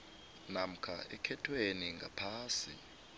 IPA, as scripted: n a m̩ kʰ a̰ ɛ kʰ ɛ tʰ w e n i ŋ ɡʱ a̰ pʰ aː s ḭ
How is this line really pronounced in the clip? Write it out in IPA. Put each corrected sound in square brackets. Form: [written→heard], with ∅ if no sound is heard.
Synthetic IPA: n a m̩ kʰ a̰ ɛ kʰ ɛ tʰ w e n i ŋ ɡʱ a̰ pʰ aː s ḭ